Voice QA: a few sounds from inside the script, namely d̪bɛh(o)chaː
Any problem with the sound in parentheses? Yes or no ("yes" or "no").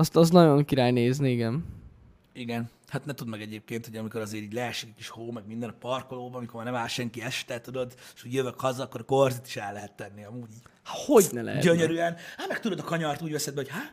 no